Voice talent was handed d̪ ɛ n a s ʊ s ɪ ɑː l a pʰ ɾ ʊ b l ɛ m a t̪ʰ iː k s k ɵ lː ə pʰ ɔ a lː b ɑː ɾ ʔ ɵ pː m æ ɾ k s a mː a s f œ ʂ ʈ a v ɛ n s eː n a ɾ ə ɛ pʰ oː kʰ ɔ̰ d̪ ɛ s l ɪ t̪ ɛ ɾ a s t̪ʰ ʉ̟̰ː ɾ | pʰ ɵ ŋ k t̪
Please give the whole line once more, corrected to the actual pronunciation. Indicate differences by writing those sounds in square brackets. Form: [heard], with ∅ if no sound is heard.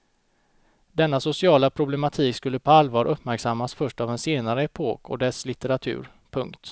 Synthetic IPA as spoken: d̪ ɛ [nː] a s ʊ s ɪ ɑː l a pʰ ɾ ʊ b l ɛ m a t̪ʰ iː k s k ɵ lː ə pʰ ɔ a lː [v] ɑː ɾ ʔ ɵ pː m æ ɾ k s a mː a s f œ ʂ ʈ a v ɛ n s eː n a ɾ ə ɛ pʰ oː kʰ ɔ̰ d̪ ɛ s l ɪ t̪ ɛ ɾ a [∅] t̪ʰ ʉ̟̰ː ɾ | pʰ ɵ ŋ k t̪

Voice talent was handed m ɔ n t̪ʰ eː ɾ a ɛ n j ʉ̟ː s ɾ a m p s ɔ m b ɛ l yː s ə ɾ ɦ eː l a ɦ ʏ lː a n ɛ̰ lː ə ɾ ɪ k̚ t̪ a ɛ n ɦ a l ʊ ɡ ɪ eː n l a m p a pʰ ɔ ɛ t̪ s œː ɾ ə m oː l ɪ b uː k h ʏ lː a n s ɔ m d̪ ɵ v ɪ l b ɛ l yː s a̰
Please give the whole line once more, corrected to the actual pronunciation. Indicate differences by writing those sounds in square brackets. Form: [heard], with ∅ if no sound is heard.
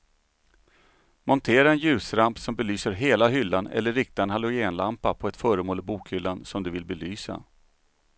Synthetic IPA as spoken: m ɔ n t̪ʰ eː ɾ a ɛ n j ʉ̟ː s ɾ a m p s ɔ m b ɛ l yː s ə ɾ ɦ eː l a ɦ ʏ lː a n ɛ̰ lː ə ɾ ɪ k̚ t̪ a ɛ n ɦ a l ʊ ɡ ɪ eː n l a m p a pʰ ɔ ɛ t̪ [f] œː ɾ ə m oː l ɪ b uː k h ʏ lː a n s ɔ m d̪ ɵ v ɪ l b ɛ l yː s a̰

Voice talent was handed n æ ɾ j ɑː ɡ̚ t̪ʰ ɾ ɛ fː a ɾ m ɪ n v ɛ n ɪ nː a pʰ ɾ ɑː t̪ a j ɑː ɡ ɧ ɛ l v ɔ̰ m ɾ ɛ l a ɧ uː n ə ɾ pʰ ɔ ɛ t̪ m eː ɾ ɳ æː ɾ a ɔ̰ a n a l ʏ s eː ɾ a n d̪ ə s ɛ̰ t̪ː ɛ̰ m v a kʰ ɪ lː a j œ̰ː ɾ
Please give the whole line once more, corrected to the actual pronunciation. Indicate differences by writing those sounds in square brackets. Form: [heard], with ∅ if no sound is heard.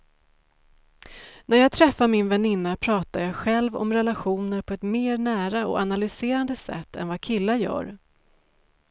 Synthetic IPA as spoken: n æ ɾ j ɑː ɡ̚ t̪ʰ ɾ ɛ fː a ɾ m ɪ n v ɛ n ɪ nː a pʰ ɾ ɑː t̪ a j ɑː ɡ ɧ ɛ l v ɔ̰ m ɾ ɛ l a ɧ uː n ə ɾ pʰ ɔ ɛ t̪ m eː ɾ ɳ æː ɾ a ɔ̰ a n a l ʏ s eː ɾ a n d̪ ə s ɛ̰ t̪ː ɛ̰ [n] v a kʰ ɪ lː a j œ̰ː ɾ

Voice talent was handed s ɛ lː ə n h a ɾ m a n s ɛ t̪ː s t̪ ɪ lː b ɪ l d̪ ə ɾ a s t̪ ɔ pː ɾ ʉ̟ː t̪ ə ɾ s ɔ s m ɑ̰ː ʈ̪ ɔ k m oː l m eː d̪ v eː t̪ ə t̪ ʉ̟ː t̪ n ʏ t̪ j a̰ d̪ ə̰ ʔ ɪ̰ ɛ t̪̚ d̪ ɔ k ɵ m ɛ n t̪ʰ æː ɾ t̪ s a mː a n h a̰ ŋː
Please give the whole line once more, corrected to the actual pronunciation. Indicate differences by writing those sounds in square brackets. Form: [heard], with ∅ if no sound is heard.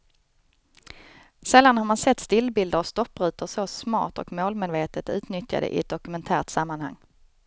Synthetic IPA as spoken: s ɛ lː [a] n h a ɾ m a n s ɛ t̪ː s t̪ ɪ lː b ɪ l d̪ ə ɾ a s t̪ ɔ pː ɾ ʉ̟ː t̪ ə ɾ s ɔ s m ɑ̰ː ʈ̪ ɔ k m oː l m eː d̪ v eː t̪ ə t̪ ʉ̟ː t̪ n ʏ t̪ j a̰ d̪ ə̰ ʔ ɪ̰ ɛ t̪̚ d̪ ɔ k ɵ m ɛ n t̪ʰ æː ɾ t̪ s a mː a n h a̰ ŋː

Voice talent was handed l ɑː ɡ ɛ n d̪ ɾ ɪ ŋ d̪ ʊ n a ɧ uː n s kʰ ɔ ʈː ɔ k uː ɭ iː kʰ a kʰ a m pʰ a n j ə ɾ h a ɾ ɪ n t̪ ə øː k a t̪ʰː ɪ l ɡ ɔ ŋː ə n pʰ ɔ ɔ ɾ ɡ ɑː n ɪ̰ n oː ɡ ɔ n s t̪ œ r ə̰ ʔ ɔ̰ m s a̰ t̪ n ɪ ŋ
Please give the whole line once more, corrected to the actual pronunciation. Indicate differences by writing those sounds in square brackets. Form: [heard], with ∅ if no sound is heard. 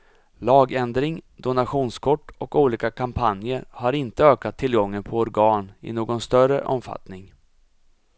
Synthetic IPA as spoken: l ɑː ɡ ɛ n d̪ ɾ ɪ ŋ d̪ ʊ n a ɧ uː n s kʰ ɔ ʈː ɔ k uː [l] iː [k] a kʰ a m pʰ a n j ə ɾ h a ɾ ɪ n t̪ ə øː k a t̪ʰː ɪ l ɡ ɔ ŋː ə n pʰ ɔ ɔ ɾ ɡ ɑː n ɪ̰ n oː ɡ ɔ n s t̪ œ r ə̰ ʔ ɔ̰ m [f] a̰ t̪ n ɪ ŋ

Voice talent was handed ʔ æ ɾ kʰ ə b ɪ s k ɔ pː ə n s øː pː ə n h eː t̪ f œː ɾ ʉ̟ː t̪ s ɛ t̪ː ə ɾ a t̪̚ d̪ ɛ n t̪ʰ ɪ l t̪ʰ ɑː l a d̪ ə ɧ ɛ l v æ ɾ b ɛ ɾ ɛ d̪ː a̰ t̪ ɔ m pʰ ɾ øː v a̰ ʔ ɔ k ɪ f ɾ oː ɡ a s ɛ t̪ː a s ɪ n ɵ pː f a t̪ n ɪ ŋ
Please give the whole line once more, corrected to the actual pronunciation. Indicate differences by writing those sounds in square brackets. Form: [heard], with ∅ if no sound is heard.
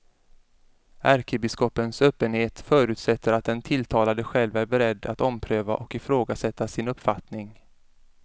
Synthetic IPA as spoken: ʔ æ ɾ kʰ ə b ɪ s k ɔ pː ə n s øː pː ə n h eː t̪ f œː ɾ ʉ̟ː t̪ s ɛ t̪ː ə ɾ a t̪̚ d̪ ɛ n t̪ʰ ɪ l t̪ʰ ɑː l a d̪ ə ɧ ɛ l v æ ɾ b ɛ ɾ ɛ d̪ː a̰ t̪ ɔ m pʰ ɾ øː v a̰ ʔ ɔ k ɪ f ɾ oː ɡ a s ɛ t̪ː a s ɪ n ɵ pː f a t̪ n ɪ ŋ

